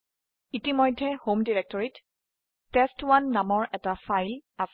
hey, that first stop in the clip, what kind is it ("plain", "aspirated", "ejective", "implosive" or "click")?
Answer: plain